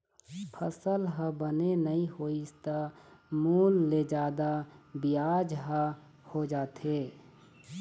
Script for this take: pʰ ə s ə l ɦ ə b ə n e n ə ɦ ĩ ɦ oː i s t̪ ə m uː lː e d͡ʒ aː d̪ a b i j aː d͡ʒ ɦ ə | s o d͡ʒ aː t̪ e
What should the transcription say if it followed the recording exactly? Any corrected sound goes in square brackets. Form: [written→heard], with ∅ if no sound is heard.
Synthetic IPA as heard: pʰ ə s ə l ɦ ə b ə n e n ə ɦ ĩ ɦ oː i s t̪ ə m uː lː e d͡ʒ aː d̪ a b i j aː d͡ʒ ɦ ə | [s→h] o d͡ʒ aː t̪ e